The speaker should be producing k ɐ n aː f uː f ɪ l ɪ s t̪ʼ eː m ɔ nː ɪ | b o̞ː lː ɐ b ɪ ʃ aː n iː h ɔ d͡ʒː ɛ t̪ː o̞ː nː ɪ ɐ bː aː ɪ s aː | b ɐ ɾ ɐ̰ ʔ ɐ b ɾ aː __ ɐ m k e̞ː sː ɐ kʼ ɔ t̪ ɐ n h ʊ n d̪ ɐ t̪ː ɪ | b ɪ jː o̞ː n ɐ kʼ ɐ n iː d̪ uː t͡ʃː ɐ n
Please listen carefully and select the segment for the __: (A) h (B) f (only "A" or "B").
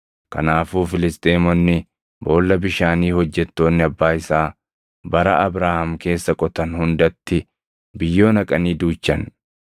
A